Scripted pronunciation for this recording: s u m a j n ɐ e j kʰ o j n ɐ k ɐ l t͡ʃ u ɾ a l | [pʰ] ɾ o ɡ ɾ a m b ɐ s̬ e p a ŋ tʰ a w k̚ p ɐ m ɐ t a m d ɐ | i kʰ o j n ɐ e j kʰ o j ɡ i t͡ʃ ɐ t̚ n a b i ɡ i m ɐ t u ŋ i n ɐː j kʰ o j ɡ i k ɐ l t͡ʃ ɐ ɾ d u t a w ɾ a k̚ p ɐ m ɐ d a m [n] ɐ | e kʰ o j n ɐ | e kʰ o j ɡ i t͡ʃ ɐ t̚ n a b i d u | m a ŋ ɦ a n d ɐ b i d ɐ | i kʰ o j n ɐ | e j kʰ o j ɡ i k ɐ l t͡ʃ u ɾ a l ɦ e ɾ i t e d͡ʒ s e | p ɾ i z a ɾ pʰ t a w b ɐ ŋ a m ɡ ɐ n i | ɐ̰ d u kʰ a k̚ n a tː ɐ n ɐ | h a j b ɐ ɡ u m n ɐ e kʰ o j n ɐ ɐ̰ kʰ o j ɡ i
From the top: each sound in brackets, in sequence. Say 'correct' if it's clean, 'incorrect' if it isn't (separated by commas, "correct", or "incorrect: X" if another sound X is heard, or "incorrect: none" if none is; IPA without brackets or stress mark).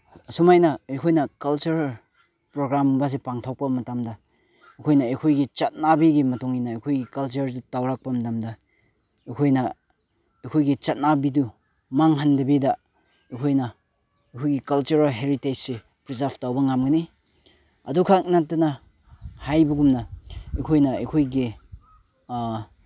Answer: incorrect: p, incorrect: d